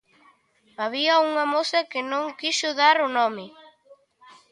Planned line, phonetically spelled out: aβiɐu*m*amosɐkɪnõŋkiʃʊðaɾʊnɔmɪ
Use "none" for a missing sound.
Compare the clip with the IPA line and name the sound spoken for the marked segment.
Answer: ŋ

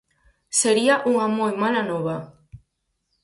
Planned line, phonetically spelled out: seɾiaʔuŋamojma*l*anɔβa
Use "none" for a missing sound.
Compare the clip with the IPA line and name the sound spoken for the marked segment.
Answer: l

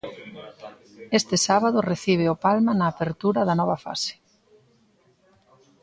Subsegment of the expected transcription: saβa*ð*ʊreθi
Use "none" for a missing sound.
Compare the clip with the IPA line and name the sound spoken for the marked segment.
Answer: ð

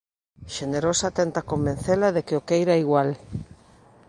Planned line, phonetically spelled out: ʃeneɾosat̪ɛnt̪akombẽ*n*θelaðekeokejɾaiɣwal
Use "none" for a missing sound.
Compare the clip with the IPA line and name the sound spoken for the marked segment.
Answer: n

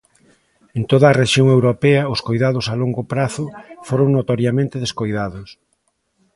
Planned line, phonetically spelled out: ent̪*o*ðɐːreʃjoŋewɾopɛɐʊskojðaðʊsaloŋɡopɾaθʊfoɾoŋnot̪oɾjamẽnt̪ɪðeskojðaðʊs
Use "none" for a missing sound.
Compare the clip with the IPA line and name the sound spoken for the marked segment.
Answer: o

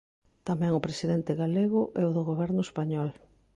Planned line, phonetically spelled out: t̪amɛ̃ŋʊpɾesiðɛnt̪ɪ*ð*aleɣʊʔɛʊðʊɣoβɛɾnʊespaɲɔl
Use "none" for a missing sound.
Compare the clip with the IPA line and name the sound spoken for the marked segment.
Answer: ɣ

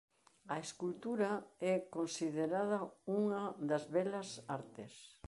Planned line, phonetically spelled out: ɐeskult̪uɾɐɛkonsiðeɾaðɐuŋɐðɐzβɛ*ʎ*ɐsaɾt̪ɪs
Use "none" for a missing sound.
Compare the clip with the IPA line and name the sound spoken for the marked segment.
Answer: l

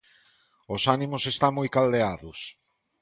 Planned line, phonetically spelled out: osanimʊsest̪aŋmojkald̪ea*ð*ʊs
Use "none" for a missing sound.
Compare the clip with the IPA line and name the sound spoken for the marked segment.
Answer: ð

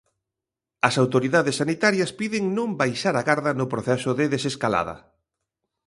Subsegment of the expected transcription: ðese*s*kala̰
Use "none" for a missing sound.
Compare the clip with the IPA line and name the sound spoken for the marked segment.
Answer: s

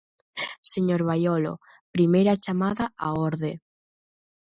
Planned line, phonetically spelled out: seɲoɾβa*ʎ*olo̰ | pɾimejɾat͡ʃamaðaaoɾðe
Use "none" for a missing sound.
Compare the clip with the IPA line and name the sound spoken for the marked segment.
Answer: j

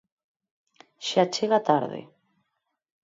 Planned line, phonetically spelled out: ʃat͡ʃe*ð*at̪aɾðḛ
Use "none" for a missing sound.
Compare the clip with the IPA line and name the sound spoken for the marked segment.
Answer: ɣ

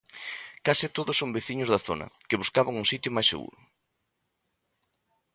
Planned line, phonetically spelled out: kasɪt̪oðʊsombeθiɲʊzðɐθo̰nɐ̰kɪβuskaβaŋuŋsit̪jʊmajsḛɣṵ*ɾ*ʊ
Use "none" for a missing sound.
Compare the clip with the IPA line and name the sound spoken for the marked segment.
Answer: ɾ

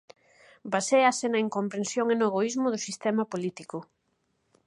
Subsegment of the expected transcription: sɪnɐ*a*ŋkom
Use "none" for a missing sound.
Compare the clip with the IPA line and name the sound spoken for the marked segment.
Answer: i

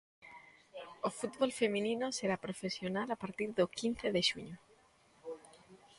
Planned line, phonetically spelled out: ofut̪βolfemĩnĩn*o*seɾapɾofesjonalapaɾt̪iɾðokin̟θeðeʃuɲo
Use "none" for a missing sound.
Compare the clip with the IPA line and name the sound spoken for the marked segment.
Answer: o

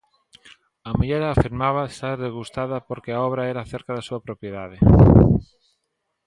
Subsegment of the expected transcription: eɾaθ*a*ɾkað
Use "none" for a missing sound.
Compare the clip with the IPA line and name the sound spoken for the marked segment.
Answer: e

